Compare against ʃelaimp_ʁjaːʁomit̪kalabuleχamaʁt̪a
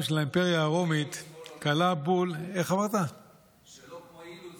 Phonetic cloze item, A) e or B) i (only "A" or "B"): A